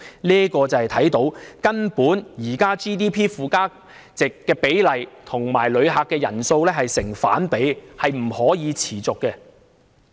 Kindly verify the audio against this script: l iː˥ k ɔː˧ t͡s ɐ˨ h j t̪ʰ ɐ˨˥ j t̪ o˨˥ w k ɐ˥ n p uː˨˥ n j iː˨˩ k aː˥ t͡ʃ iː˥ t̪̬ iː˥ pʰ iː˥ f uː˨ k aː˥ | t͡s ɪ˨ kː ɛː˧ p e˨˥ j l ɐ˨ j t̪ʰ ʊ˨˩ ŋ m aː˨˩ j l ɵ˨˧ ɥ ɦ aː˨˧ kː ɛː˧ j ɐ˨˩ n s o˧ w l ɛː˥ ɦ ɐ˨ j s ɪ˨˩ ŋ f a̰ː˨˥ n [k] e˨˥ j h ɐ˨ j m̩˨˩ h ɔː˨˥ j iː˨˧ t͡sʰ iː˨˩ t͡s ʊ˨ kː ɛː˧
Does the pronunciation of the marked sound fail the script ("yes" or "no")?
yes